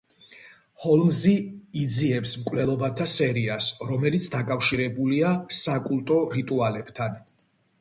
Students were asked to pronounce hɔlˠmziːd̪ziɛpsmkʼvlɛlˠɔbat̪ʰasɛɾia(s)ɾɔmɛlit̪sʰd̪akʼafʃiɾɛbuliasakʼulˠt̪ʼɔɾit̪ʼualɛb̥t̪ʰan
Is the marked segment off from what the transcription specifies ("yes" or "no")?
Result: no